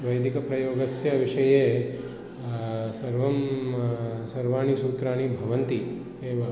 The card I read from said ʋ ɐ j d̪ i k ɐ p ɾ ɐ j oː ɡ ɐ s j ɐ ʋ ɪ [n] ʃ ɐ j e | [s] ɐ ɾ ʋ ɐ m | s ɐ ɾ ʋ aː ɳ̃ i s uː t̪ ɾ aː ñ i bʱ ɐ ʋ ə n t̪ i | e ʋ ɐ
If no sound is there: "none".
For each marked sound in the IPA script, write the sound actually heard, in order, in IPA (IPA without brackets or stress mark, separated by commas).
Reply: none, s